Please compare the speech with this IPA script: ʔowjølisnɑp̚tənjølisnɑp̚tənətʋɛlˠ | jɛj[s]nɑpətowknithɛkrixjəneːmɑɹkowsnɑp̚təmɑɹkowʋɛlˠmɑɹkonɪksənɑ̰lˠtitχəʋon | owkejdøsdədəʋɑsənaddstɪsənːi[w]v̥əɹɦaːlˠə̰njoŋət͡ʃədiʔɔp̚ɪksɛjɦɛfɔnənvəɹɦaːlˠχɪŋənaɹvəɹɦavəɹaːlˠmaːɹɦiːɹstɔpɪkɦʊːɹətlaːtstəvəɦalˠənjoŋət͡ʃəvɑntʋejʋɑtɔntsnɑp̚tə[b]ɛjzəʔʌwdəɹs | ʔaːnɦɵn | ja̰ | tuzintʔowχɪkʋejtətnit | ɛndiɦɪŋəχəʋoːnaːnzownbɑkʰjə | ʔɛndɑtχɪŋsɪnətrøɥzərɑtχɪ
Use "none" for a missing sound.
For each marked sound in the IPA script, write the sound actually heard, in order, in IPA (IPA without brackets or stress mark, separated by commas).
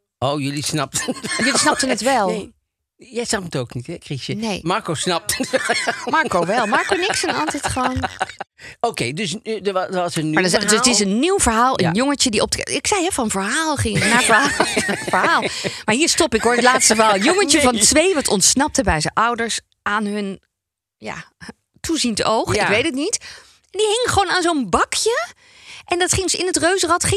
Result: s, w, b